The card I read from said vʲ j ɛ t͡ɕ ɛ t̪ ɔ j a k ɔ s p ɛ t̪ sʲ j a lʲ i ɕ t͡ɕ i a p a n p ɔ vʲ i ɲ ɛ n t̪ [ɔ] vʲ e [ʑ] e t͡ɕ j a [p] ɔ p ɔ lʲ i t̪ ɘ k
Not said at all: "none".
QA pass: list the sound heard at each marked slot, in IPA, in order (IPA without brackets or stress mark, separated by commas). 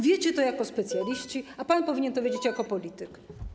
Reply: ɔ, d͡ʑ, k